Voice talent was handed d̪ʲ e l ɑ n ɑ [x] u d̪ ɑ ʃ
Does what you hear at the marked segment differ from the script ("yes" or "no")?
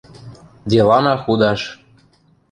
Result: no